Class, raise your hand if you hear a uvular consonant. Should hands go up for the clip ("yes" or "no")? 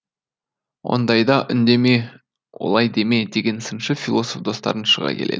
yes